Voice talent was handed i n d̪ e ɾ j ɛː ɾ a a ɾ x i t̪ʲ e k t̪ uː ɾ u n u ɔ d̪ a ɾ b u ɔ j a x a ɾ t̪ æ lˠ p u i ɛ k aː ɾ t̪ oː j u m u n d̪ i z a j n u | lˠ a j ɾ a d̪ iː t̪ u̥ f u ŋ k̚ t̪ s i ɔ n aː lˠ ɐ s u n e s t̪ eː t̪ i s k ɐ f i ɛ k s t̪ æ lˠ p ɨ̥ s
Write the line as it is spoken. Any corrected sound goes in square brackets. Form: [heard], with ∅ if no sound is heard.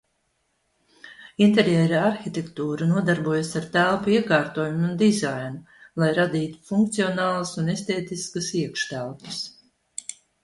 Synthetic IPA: i n [t̪] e ɾ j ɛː ɾ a a ɾ x i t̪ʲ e k t̪ uː ɾ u n u ɔ d̪ a ɾ b u ɔ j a [s] a ɾ t̪ æ lˠ p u i ɛ k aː ɾ t̪ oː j u m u n d̪ i z a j n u | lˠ a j ɾ a d̪ iː t̪ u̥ f u ŋ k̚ t̪ s i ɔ n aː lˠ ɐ s u n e s t̪ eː t̪ i s k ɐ [s] i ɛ k [ʃ] t̪ æ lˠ p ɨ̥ s